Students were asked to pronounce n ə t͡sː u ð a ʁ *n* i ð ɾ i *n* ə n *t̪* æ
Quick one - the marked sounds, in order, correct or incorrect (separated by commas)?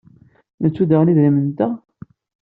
correct, incorrect, correct